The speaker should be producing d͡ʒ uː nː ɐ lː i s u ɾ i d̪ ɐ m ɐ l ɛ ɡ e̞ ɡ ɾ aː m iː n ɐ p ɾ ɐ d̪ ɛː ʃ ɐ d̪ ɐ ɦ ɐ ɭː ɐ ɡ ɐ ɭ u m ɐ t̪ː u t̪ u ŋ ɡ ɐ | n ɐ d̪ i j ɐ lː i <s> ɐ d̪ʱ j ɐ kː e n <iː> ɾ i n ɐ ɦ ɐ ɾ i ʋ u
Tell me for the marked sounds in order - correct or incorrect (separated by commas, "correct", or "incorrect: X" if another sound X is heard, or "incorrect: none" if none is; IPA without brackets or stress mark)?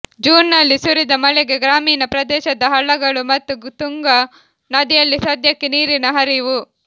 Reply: correct, correct